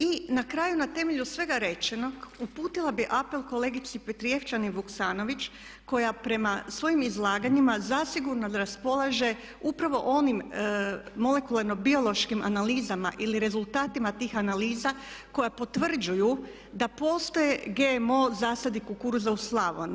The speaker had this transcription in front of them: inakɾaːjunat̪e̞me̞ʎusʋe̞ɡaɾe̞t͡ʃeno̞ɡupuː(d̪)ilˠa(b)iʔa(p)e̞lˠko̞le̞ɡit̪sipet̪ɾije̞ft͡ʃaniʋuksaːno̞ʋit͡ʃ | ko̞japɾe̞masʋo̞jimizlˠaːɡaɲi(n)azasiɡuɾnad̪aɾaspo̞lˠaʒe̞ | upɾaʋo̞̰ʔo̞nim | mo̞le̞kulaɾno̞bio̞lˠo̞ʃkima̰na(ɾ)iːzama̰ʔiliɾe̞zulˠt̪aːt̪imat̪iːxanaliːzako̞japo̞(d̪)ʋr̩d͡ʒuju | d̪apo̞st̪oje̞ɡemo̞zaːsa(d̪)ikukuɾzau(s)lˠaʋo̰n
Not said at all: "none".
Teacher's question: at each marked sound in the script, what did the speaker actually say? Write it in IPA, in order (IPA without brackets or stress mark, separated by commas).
t̪, b, p, m, l, t̪, d̪, s